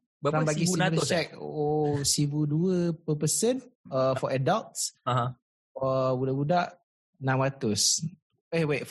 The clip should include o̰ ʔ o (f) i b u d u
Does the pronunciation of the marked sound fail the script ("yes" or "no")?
yes